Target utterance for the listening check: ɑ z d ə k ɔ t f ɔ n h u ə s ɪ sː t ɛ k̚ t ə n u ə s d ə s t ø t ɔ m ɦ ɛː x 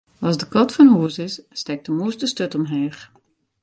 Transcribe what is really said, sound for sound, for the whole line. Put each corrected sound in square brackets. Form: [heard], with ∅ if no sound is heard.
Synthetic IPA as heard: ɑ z d ə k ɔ t f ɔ n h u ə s ɪ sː t ɛ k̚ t ə [m] u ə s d ə s t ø t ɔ m ɦ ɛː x